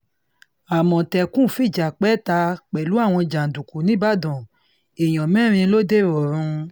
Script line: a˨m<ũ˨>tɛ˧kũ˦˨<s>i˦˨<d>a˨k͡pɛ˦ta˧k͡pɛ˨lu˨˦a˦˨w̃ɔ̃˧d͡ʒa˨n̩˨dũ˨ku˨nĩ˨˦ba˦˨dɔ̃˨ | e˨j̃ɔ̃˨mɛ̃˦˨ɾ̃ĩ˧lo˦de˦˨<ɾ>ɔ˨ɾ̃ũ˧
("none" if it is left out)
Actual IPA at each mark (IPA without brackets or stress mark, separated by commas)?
ɔ̃˨, f, d͡ʒ, ɾ